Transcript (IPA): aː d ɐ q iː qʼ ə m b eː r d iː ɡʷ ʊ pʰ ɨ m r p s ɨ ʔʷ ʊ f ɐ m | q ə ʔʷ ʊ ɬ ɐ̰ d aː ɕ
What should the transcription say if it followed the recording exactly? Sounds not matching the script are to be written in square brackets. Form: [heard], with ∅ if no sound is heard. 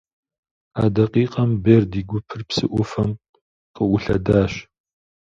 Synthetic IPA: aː d ɐ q iː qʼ [ɐ] m b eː r d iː ɡʷ ʊ pʰ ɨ [∅] r p s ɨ ʔʷ ʊ f ɐ m | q ə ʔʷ ʊ ɬ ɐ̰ d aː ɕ